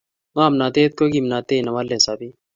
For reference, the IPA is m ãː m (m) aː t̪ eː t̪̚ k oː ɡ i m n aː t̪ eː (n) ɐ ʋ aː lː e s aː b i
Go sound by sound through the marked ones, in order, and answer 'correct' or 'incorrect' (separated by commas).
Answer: incorrect, correct